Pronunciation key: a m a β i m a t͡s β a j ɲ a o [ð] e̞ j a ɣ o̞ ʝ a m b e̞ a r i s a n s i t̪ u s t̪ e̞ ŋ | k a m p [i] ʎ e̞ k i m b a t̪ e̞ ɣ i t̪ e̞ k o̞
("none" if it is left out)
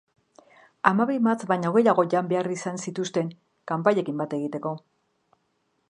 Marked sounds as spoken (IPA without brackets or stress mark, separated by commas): ɣ, a